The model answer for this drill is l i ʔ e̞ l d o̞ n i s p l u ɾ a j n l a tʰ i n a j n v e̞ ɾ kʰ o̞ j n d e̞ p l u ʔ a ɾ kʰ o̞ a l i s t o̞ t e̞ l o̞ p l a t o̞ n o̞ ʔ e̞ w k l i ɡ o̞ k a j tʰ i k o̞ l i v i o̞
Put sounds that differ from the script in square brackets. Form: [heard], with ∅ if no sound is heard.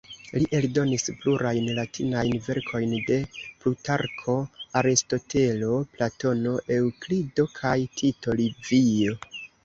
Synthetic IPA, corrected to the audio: l i ʔ e̞ l d o̞ n i s p l u ɾ a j n l a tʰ i n a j n v e̞ ɾ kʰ o̞ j n d e̞ p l u [t] a ɾ kʰ o̞ a [ɾ] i s t o̞ t e̞ l o̞ p l a t o̞ n o̞ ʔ e̞ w k l i [d] o̞ [kʰ] a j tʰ i [t] o̞ l i v i o̞